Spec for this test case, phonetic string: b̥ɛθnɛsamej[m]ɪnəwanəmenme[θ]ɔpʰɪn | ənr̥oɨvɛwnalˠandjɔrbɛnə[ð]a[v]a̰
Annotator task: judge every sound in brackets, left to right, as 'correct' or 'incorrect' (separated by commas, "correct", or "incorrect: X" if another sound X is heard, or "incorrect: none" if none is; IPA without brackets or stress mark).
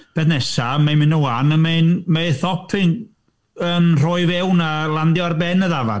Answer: correct, correct, correct, correct